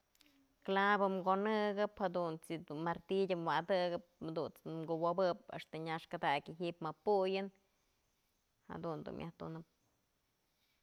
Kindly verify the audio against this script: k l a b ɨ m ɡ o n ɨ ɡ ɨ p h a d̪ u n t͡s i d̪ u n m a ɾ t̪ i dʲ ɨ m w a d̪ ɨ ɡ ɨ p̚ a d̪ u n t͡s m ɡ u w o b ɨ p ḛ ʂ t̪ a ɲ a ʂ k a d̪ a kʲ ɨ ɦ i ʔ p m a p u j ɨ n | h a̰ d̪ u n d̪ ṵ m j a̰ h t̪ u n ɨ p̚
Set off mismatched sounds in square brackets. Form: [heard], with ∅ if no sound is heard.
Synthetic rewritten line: k l a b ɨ m ɡ o n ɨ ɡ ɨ p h a d̪ u n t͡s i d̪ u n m a ɾ t̪ i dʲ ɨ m w a d̪ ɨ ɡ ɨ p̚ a d̪ u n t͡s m ɡ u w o b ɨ p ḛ ʂ t̪ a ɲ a ʂ k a d̪ a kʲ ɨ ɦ i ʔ p m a p u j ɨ n | h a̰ d̪ u n d̪ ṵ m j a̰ h t̪ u n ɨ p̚